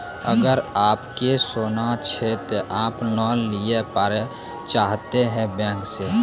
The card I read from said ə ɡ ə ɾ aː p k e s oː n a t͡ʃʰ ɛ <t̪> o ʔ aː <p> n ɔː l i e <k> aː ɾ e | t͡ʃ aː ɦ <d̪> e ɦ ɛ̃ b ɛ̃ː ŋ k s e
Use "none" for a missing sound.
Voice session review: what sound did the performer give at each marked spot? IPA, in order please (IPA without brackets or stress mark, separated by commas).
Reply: t̪, p, p, t̪